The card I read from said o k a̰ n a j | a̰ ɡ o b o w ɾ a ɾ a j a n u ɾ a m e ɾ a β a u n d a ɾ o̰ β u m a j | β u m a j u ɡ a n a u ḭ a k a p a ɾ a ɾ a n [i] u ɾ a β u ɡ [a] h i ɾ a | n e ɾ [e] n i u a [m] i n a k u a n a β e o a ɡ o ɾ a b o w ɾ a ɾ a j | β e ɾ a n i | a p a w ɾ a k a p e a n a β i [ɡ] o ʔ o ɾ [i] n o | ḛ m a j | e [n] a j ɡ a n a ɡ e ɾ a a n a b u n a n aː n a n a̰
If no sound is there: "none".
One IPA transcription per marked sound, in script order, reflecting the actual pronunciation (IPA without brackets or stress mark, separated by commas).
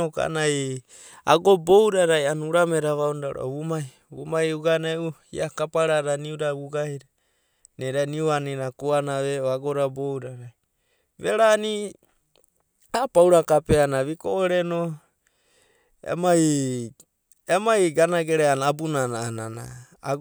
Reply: i, a, a, n, k, e, m